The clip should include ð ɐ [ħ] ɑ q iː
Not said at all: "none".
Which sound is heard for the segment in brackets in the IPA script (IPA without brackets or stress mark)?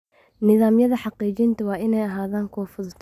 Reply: ħ